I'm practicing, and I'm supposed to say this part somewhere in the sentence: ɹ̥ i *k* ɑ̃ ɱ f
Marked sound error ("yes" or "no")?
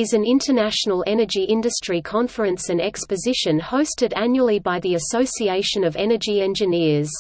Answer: yes